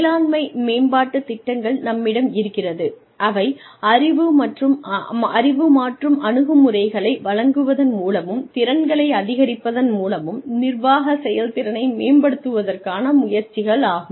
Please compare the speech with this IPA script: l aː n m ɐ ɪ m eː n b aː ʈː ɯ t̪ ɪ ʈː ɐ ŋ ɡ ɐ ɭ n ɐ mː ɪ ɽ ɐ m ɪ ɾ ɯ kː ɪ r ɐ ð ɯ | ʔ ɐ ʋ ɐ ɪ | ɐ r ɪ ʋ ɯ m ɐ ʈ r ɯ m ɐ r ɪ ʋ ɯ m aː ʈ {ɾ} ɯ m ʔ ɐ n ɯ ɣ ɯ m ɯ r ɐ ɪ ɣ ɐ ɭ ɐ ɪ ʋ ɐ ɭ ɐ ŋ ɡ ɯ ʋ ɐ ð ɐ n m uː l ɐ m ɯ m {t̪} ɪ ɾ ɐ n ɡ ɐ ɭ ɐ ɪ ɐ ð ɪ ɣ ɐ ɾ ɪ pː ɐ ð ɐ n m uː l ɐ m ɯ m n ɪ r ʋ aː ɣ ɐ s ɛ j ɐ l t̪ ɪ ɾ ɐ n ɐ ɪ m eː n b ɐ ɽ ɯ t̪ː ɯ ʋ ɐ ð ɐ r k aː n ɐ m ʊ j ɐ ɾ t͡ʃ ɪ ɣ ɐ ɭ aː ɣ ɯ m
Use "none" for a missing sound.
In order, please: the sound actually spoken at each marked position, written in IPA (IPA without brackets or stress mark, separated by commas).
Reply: r, t̪